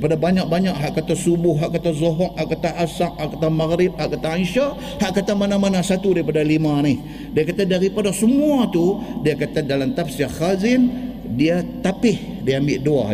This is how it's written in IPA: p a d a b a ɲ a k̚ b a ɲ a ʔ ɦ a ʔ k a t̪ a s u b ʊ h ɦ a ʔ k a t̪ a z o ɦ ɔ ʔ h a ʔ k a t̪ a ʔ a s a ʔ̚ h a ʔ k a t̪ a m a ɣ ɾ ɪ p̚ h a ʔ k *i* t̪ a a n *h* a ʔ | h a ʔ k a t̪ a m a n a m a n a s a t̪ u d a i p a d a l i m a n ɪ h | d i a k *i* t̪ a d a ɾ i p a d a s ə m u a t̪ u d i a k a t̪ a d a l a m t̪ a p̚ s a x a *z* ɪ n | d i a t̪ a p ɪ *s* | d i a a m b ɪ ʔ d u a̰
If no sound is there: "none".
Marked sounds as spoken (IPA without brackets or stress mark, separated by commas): a, ʃ, a, z, h